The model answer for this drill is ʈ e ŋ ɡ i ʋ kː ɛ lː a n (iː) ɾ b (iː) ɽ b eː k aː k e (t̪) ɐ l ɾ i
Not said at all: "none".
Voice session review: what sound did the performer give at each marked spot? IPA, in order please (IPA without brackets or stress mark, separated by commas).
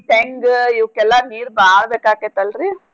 iː, aː, t̪